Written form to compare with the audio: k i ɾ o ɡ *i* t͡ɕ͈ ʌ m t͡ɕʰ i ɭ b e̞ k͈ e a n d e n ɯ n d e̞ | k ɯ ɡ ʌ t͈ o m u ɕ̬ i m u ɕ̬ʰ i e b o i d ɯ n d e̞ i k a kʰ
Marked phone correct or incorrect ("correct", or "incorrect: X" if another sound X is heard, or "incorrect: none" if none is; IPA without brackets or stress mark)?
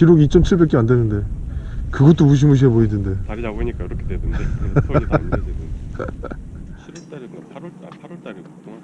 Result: correct